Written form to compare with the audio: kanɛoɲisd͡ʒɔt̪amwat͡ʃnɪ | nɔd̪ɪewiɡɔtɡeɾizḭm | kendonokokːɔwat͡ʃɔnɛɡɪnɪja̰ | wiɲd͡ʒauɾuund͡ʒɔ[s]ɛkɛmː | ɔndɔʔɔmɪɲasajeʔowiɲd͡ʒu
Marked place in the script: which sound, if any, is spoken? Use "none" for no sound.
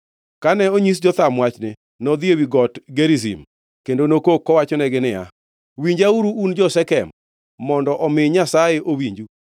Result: s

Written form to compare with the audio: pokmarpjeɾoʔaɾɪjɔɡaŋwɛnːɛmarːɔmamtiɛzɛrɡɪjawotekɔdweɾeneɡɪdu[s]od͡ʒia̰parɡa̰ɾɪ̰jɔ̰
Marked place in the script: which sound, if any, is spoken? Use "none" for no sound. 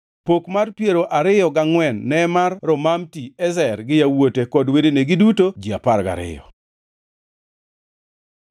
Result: t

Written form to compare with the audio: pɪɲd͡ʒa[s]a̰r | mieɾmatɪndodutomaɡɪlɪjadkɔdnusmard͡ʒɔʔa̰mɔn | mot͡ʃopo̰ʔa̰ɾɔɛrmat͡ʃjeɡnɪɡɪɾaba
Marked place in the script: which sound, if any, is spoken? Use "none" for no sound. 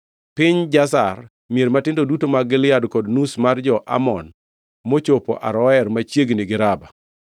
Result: s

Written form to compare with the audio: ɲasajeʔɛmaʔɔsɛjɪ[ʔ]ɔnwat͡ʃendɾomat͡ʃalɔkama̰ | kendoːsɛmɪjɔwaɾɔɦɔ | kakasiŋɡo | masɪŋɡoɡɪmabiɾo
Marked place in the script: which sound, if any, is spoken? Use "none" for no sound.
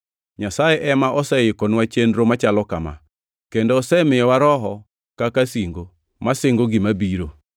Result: k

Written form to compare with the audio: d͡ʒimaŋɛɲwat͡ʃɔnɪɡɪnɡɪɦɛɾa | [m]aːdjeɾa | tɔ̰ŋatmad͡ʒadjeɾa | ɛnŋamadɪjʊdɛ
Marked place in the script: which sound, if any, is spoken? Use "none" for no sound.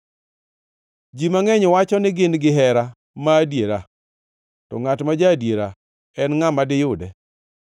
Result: m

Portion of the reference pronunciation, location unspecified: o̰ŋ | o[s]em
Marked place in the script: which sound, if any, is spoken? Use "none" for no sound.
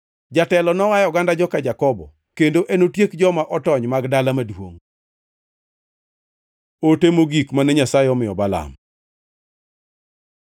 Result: t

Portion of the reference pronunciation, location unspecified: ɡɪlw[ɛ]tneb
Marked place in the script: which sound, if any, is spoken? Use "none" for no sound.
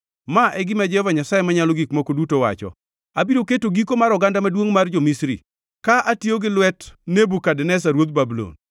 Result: ɛ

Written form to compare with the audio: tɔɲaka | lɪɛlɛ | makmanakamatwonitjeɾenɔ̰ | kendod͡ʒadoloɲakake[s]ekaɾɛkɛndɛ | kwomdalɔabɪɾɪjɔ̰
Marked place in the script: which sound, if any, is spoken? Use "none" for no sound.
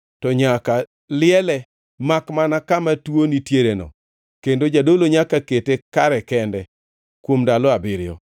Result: t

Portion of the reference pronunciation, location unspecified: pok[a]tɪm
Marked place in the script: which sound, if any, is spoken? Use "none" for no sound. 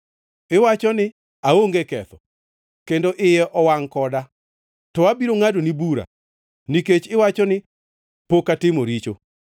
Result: a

